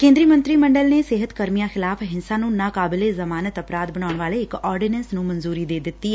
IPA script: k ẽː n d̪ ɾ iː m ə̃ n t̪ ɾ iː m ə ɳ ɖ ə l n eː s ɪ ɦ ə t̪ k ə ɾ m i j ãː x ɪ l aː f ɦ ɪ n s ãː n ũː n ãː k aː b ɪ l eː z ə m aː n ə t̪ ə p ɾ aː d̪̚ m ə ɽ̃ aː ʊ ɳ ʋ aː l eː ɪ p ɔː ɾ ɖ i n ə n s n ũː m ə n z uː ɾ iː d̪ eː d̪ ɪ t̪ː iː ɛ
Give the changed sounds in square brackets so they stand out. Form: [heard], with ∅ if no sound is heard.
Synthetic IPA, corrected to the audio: k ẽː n d̪ ɾ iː m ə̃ n t̪ ɾ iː m ə ɳ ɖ ə l n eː s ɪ ɦ ə t̪ k ə ɾ m i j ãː x ɪ l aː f ɦ ɪ n s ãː n ũː n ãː k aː b ɪ l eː z ə m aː n ə t̪ ə p ɾ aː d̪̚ [b] ə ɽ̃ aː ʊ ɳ ʋ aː l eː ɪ [k] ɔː ɾ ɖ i n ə n s n ũː m ə n z uː ɾ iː d̪ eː d̪ ɪ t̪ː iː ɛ

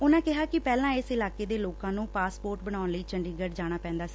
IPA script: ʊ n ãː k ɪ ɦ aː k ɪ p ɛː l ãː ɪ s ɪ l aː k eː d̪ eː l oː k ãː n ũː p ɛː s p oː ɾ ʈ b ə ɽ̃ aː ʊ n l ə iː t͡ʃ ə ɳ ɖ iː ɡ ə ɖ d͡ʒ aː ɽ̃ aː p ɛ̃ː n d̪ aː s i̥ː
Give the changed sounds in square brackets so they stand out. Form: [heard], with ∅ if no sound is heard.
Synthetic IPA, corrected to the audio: ʊ n ãː k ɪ ɦ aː k ɪ p ɛː l ãː ɪ s ɪ l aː k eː d̪ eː l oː k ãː n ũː p [aː] s p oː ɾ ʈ b ə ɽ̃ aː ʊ n l ə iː t͡ʃ ə ɳ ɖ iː ɡ ə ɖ d͡ʒ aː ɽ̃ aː p ɛ̃ː n d̪ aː s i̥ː

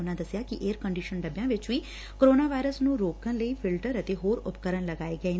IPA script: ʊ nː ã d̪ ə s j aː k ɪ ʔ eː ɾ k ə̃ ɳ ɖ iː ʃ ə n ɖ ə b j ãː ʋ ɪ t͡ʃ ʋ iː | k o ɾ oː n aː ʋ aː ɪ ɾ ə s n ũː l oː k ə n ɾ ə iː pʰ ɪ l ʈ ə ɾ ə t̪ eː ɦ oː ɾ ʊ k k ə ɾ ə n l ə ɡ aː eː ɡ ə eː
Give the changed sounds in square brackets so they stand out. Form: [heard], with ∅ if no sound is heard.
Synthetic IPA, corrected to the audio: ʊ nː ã d̪ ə s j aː k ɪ ʔ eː ɾ k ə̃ ɳ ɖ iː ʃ ə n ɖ ə b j ãː ʋ ɪ t͡ʃ ʋ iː | k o ɾ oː n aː ʋ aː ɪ ɾ ə s n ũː [ɾ] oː k ə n [l] ə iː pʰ ɪ l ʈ ə ɾ ə t̪ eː ɦ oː ɾ ʊ [p] k ə ɾ ə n l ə ɡ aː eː ɡ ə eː

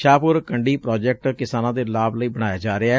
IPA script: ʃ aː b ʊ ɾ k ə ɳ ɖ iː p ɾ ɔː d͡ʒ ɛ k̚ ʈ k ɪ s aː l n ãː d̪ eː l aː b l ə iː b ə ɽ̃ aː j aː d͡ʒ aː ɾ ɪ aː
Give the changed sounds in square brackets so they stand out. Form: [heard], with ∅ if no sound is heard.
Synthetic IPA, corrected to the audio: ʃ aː [p] ʊ ɾ k ə ɳ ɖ iː p ɾ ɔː d͡ʒ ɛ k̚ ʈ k ɪ s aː [∅] n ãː d̪ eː l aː b l ə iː b ə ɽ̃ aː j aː d͡ʒ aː ɾ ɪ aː

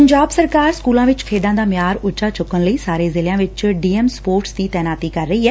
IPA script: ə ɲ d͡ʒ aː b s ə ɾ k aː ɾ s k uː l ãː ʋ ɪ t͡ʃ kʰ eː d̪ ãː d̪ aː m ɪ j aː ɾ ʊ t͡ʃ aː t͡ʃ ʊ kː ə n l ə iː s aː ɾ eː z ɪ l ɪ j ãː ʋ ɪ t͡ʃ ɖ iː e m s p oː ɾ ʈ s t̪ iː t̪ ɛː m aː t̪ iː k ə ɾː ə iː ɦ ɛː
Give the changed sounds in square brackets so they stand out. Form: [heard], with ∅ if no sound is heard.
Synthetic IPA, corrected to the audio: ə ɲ d͡ʒ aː b s ə ɾ k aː ɾ s k uː l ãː ʋ ɪ t͡ʃ kʰ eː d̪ ãː d̪ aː m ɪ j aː ɾ ʊ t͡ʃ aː t͡ʃ ʊ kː ə n l ə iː s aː ɾ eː z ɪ l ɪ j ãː ʋ ɪ t͡ʃ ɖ iː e m s p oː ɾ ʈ s [d̪] iː t̪ ɛː [n] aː t̪ iː k ə ɾː ə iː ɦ ɛː

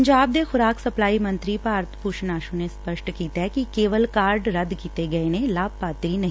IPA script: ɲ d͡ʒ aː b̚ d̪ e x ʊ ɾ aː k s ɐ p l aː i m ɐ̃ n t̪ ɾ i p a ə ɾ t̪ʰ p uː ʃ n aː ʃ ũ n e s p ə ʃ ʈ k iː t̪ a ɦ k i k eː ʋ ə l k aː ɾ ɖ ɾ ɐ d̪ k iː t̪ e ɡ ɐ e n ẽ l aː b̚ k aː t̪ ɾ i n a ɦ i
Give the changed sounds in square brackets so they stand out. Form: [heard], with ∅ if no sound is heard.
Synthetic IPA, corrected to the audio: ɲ d͡ʒ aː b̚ d̪ e x ʊ ɾ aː k s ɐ p l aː i m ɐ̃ n t̪ ɾ i p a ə ɾ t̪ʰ p uː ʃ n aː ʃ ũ n e s p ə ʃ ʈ k iː t̪ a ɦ k i k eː ʋ ə l k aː ɾ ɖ ɾ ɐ d̪ k iː t̪ e ɡ ɐ e n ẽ l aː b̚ [p] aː t̪ ɾ i n [ɐ] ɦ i

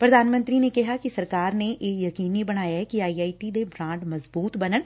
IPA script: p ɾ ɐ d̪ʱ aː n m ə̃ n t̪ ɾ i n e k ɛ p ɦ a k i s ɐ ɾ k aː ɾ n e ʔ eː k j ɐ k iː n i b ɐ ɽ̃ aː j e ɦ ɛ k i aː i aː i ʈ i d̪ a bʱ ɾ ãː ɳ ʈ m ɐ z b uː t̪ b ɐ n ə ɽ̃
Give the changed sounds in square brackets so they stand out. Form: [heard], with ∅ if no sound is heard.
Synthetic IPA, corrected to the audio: p ɾ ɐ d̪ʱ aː n m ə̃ n t̪ ɾ i n e k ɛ [∅] ɦ a k i s ɐ ɾ k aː ɾ n e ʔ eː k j ɐ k iː n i b ɐ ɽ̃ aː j [a] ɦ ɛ k i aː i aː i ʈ i d̪ [e] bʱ ɾ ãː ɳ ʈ m ɐ z b uː t̪ b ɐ n ə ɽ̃

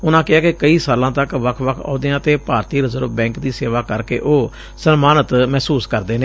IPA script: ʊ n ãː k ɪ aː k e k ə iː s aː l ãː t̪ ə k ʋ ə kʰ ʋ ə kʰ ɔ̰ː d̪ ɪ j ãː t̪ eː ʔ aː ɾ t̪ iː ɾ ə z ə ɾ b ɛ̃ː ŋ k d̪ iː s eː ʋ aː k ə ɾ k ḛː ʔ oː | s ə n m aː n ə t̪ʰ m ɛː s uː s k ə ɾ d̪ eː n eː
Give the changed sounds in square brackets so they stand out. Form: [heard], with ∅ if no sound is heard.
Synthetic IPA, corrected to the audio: ʊ n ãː k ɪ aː k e k ə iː s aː l ãː t̪ ə k ʋ ə kʰ ʋ ə kʰ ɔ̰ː d̪ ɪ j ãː t̪ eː [p] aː ɾ t̪ iː ɾ ə z ə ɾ b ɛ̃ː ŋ k d̪ iː s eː ʋ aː k ə ɾ k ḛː ʔ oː | s ə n m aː n ə [t̪] m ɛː s uː s k ə ɾ d̪ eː n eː

